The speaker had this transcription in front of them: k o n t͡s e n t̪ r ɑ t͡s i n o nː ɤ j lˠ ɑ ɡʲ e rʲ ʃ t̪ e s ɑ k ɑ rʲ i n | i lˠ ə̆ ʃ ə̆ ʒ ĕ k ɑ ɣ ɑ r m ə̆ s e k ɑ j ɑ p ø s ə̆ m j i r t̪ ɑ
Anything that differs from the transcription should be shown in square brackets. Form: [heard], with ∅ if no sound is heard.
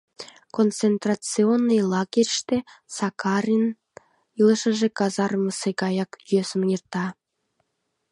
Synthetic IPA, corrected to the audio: k o n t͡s e n t̪ r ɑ t͡s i [∅] o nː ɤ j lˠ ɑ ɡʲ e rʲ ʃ t̪ e s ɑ k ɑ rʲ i n | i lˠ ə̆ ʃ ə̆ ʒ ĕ k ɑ [z] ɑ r m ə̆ s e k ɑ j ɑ [k] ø s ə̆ m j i r t̪ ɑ